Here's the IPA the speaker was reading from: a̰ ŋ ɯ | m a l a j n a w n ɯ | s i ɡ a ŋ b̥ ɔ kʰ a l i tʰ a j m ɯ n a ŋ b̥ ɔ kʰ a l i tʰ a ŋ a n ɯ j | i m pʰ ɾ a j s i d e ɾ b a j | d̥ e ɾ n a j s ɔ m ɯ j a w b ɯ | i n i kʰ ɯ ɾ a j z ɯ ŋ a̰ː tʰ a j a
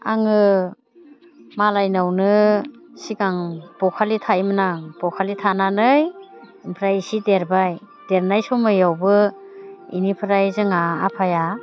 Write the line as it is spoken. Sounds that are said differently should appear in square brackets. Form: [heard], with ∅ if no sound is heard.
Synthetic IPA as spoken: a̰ ŋ ɯ | m a l a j n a w n ɯ | s i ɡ a ŋ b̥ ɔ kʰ a l i tʰ a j m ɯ n a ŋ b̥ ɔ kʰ a l i tʰ a [n] a n ɯ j | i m pʰ ɾ a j s i d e ɾ b a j | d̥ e ɾ n a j s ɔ m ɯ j a w b ɯ | i n i [pʰ] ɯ ɾ a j z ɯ ŋ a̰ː [pʰ] a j a